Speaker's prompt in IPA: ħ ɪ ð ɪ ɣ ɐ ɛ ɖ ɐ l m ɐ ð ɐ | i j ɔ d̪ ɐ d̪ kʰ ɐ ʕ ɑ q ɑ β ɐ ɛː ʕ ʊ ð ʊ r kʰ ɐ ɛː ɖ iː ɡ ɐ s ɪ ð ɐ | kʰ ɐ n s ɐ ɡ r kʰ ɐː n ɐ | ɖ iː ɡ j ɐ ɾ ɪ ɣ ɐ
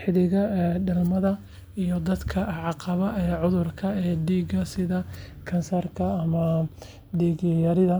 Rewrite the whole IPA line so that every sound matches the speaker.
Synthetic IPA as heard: ħ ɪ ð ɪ ɣ ɐ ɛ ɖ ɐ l m ɐ ð ɐ | i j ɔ d̪ ɐ d̪ kʰ ɐ ʕ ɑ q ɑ β ɐ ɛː ʕ ʊ ð ʊ r kʰ ɐ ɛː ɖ iː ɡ ɐ s ɪ ð ɐ | kʰ ɐ n s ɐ r kʰ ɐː m ɐ | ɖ iː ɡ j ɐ ɾ ɪ ð ɐ